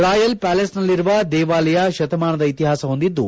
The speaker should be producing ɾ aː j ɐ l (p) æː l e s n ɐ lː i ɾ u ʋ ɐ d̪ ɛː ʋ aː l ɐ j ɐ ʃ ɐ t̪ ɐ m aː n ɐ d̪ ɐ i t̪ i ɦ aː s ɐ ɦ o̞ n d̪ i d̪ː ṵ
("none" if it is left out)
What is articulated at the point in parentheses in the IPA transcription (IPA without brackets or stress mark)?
p